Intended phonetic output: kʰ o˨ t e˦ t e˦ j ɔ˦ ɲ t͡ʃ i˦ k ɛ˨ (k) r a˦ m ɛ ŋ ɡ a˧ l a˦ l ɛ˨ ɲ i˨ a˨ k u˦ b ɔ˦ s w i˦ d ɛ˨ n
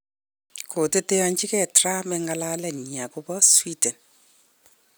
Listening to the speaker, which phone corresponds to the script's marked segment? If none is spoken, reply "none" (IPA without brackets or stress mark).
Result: t